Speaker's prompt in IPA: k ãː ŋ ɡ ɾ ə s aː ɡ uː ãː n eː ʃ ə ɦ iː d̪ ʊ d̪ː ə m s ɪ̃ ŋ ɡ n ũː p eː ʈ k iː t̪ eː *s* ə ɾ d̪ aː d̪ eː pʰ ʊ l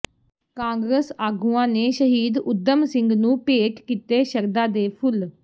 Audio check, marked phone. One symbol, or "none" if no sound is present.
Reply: ʃ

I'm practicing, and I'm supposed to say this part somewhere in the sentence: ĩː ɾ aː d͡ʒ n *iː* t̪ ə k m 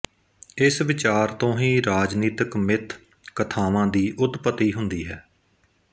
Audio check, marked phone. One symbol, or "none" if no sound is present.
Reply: iː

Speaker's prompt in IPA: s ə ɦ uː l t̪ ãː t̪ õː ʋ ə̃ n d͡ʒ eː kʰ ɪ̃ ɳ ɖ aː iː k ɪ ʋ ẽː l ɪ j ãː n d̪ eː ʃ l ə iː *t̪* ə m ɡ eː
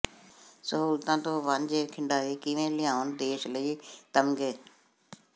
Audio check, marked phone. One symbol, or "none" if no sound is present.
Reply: t̪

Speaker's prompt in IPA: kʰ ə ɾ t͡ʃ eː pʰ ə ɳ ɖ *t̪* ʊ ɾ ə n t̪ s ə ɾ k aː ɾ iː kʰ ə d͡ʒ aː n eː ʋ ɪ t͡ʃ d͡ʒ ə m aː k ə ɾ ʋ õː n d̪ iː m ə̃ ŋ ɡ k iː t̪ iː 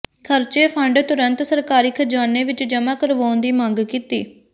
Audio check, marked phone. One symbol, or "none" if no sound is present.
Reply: t̪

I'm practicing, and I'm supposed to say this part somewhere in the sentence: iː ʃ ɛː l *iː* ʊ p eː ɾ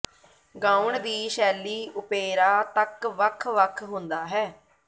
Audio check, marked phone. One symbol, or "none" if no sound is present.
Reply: iː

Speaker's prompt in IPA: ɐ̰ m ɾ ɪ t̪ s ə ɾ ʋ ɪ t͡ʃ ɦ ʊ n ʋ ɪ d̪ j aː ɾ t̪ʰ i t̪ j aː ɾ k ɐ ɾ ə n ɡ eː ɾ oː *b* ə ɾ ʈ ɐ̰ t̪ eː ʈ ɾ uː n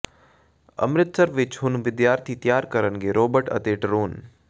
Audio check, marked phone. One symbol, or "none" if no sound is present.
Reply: b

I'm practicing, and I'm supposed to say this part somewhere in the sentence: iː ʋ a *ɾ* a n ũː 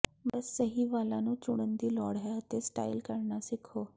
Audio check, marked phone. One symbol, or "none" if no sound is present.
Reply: l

